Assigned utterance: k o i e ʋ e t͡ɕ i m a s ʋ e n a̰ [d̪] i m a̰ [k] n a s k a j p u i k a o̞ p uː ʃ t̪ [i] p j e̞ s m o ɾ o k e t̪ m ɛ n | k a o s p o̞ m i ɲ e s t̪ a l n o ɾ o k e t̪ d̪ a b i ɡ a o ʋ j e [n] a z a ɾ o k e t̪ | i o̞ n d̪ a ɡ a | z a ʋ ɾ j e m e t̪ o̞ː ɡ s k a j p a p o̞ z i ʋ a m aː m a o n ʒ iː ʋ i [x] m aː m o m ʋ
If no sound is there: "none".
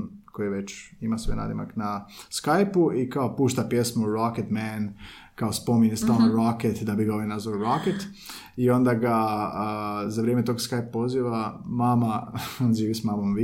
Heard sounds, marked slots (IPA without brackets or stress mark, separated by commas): d̪, k, a, n, s